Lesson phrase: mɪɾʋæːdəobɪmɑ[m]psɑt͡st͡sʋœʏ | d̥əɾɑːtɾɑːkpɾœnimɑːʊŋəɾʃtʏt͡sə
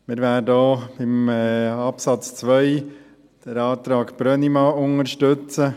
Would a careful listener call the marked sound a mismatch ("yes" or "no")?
yes